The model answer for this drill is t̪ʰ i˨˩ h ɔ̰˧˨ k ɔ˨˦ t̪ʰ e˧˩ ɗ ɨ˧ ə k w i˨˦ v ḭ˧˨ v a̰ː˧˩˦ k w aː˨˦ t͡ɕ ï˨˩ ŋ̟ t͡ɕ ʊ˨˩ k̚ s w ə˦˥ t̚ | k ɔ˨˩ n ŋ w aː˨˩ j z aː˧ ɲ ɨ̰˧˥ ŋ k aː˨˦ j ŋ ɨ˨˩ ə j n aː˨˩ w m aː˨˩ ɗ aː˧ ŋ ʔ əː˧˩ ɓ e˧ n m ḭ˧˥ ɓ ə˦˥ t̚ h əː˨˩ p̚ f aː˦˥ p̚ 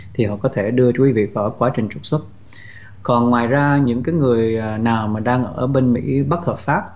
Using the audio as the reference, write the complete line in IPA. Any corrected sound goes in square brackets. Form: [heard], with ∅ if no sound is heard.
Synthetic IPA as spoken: t̪ʰ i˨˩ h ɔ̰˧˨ k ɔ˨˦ t̪ʰ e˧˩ ɗ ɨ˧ ə k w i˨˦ v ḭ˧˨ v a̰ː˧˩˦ k w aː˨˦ t͡ɕ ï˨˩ ŋ̟ t͡ɕ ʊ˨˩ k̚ s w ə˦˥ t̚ | k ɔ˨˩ n ŋ w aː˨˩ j z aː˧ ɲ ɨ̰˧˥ ŋ k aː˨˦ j ŋ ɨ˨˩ ə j n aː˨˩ w m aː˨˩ ɗ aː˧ ŋ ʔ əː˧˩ ɓ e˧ n m ḭ˧˥ ɓ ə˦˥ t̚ h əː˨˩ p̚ f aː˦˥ p̚